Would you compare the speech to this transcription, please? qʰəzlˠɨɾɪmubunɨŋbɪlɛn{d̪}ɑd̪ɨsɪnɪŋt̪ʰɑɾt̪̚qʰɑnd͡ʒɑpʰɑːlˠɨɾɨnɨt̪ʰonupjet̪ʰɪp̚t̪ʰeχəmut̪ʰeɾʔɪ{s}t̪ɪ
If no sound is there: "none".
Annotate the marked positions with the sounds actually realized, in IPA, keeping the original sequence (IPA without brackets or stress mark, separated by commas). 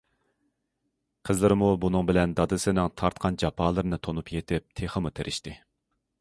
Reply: d̪, ʃ